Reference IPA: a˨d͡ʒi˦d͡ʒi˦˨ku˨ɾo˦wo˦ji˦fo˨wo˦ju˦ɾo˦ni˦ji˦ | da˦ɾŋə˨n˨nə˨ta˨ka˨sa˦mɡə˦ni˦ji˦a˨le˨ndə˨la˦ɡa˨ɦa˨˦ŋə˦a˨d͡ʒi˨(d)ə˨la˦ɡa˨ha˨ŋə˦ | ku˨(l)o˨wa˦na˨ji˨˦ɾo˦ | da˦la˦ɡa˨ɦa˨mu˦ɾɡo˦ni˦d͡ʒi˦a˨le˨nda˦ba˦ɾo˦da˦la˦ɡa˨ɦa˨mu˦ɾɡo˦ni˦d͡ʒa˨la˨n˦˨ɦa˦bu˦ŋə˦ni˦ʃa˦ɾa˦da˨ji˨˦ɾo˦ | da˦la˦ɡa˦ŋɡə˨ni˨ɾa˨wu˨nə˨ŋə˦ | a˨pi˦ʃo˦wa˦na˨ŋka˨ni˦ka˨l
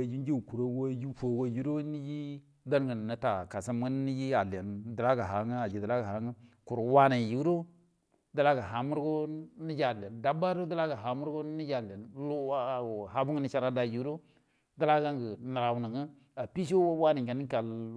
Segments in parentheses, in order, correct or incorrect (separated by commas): correct, incorrect